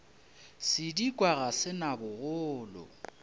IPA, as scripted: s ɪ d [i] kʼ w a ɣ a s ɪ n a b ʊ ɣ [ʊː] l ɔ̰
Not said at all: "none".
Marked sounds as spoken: i, ʊː

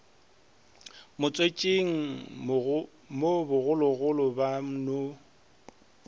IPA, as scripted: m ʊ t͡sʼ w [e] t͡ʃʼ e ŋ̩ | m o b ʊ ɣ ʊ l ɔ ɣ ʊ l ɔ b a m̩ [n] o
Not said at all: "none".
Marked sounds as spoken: e, n

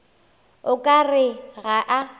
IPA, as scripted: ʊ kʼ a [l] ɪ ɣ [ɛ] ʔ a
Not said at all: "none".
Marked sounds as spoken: r, a

